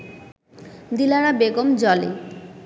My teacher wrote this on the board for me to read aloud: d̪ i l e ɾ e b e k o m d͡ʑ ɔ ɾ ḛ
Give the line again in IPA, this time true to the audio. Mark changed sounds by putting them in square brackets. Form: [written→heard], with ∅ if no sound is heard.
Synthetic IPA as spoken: d̪ i l [e→a] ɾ [e→a] b e [k→ɡ] o m d͡ʑ ɔ [ɾ→l] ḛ